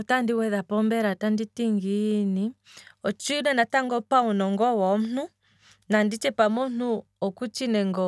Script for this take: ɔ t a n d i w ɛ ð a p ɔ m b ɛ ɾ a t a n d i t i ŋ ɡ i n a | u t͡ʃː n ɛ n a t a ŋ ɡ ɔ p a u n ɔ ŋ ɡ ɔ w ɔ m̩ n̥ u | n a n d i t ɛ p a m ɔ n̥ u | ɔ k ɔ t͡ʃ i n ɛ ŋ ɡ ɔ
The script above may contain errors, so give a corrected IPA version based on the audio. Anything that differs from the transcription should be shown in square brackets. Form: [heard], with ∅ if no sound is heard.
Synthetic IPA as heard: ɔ t a n d i w ɛ ð a p ɔ m b ɛ ɾ a t a n d i t i ŋ ɡ i n [i] | [ɔ] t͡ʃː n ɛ n a t a ŋ ɡ ɔ p a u n ɔ ŋ ɡ ɔ w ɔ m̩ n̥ u | n a n d i [t͡ʃ] ɛ p a m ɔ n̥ u | ɔ k [u] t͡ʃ i n ɛ ŋ ɡ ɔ